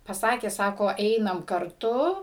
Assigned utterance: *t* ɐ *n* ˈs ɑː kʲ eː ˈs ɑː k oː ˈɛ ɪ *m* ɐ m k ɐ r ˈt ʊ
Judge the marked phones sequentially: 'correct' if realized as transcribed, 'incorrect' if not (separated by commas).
incorrect, incorrect, incorrect